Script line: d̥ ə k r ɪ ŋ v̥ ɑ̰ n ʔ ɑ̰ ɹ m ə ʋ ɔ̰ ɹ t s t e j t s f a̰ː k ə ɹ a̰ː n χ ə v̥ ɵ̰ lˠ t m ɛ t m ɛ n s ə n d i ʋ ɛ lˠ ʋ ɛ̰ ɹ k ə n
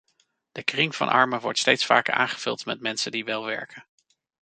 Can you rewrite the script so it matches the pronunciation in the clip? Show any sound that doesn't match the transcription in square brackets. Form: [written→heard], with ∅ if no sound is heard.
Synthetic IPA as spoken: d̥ ə k r ɪ ŋ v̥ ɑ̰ n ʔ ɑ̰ ɹ m ə ʋ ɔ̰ ɹ t s t e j t s f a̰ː k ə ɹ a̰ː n χ ə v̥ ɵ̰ lˠ t m ɛ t m ɛ n s ə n d i ʋ ɛ lˠ ʋ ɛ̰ ɹ k ə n